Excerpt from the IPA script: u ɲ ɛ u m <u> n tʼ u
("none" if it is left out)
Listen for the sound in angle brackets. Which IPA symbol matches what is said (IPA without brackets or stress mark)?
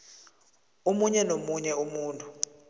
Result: uː